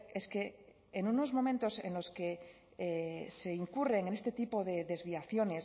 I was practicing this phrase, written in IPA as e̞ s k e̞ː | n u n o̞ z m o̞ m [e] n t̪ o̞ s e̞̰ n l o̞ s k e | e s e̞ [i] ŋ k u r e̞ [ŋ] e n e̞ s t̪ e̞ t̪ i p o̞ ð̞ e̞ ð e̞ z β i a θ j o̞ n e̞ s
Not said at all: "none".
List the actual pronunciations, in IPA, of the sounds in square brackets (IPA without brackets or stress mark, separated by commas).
ẽ, i, ŋ